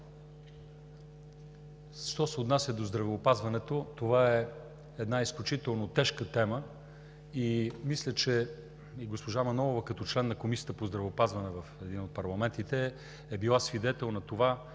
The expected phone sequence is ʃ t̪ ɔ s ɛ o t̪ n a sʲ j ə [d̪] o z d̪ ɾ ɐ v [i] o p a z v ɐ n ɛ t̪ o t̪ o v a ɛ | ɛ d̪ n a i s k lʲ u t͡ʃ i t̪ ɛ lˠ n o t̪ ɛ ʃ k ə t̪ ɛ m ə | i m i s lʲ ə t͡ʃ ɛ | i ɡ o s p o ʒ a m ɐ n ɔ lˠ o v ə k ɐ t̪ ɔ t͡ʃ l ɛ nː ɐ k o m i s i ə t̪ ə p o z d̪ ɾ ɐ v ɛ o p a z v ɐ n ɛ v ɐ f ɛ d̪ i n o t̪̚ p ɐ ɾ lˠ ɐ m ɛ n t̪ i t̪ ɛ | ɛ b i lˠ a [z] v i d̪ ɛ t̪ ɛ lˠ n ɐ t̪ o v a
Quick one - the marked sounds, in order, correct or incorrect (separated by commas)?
correct, incorrect, incorrect